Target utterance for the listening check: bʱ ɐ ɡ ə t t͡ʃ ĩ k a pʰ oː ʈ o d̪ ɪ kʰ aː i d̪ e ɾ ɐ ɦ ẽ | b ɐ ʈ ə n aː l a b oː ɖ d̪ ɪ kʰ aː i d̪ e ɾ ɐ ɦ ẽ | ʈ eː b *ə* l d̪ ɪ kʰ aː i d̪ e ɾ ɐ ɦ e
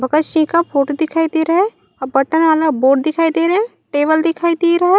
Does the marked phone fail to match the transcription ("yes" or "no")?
no